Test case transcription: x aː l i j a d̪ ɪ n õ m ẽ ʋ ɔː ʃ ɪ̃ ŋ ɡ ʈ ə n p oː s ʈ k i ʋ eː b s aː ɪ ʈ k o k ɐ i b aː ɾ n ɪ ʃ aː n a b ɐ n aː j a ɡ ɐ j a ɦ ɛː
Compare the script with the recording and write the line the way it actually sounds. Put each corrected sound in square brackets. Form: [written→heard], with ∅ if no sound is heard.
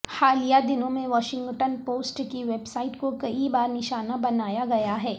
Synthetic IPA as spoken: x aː l i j a d̪ ɪ n õ m ẽ ʋ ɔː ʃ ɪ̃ ŋ ɡ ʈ ə n p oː s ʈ k i ʋ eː b s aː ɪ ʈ k o k ɐ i b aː ɾ n ɪ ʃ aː n a b ɐ n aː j a ɡ ɐ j a ɦ ɛː